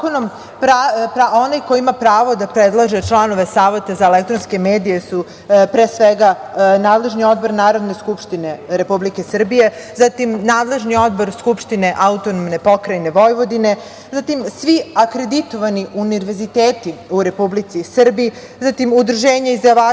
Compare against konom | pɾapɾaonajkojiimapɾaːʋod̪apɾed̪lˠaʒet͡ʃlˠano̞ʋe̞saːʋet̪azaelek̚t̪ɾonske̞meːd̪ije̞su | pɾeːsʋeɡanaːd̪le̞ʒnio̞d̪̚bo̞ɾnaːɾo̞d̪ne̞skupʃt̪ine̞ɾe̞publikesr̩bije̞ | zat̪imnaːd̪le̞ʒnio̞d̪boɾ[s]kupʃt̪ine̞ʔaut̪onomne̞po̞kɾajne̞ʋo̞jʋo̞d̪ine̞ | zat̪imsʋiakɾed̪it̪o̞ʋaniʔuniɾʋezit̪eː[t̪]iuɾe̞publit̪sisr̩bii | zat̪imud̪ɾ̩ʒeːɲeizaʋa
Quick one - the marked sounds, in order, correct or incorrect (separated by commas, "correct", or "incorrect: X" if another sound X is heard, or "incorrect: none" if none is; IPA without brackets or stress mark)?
correct, correct